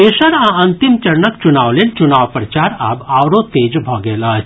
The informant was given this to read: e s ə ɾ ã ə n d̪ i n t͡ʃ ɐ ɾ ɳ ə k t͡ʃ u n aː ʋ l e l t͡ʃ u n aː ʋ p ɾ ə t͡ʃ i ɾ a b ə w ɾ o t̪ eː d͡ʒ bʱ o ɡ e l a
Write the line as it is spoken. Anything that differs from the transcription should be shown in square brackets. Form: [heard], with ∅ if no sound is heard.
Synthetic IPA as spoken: e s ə ɾ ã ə n [t̪] i [m] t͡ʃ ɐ ɾ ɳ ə k t͡ʃ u n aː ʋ l e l t͡ʃ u n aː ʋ p ɾ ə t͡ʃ [a] ɾ a b [a] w ɾ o t̪ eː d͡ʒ bʱ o ɡ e l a